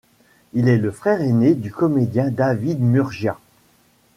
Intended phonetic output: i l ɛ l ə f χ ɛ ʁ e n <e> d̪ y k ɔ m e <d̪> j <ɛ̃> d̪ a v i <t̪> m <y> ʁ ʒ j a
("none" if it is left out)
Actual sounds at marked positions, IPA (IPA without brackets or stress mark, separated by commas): e, d̪, ɛ̃, d̪, y